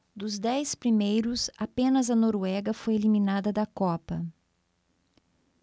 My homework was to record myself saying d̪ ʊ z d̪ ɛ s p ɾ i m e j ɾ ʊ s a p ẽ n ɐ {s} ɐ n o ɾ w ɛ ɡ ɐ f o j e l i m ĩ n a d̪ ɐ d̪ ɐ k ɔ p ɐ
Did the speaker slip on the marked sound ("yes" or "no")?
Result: yes